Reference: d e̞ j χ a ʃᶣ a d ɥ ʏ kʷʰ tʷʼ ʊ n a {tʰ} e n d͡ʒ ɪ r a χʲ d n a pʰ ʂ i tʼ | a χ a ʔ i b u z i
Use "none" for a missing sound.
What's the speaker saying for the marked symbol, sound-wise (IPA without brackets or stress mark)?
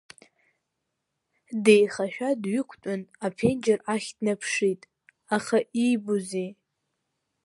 pʰ